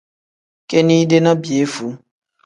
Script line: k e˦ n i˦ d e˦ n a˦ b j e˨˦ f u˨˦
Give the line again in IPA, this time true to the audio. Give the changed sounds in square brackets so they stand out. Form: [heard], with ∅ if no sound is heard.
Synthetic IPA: k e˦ n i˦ d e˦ n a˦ b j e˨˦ f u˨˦